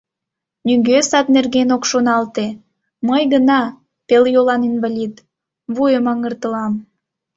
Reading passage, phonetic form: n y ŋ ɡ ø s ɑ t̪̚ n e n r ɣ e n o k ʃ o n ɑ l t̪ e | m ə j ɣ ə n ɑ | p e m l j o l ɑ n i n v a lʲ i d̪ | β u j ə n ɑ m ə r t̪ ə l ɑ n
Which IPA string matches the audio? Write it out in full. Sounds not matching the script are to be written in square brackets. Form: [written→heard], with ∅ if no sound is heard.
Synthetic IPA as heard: n y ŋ ɡ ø s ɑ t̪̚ n e [n→∅] r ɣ e n o k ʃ o n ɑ l t̪ e | m ə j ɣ ə n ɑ | p e [m→∅] l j o l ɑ n i n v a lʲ i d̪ | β u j ə [n→m] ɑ [m→ŋ] ə r t̪ ə l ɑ [n→m]